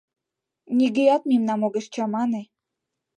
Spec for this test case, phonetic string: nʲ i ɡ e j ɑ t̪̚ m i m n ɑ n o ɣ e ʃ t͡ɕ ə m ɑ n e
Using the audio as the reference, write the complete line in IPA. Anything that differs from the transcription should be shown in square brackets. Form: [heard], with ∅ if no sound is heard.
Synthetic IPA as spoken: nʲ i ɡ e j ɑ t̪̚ m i m n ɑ [m] o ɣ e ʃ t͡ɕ [ɑ] m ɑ n e